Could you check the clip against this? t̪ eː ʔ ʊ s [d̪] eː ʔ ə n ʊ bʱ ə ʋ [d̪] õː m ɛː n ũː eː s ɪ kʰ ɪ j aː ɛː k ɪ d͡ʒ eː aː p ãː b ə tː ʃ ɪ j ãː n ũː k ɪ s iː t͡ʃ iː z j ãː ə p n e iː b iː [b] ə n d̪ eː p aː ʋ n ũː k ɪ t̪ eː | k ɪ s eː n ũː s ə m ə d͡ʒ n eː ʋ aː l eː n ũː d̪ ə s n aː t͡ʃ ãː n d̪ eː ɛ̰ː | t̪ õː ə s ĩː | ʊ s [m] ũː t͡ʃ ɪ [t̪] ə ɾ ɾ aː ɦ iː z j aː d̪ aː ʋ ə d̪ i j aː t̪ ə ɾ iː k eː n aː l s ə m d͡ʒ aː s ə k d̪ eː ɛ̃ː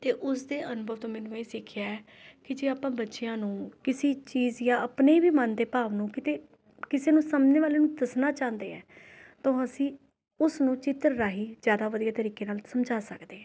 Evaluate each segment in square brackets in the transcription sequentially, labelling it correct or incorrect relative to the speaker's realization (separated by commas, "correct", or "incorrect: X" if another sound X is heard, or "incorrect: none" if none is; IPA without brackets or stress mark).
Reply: correct, incorrect: t̪, incorrect: m, incorrect: n, correct